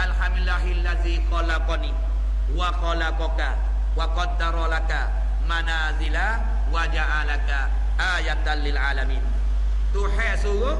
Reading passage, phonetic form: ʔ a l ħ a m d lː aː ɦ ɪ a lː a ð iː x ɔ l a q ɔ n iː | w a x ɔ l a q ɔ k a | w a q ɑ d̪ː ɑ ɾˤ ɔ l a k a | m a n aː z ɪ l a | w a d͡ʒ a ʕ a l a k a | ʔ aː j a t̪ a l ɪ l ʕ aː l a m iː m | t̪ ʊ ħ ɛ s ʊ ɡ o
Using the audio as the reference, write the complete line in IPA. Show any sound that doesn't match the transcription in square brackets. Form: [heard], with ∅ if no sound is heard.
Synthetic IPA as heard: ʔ a l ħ a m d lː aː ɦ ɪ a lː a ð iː x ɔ l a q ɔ n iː | w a x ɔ l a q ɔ k a | w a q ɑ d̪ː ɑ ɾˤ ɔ l a k a | m a n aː z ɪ l a | w a d͡ʒ a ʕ a l a k a | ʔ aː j a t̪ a l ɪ l ʕ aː l a m iː [n] | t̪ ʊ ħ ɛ s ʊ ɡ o